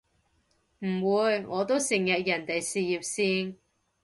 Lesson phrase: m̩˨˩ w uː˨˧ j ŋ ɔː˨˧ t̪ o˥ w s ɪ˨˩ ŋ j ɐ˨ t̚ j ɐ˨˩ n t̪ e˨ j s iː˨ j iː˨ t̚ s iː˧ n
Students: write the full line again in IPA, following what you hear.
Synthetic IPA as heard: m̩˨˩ w uː˨˧ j ŋ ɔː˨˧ t̪ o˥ w s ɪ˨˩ ŋ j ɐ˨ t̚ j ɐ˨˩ n t̪ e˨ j s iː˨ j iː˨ p̚ s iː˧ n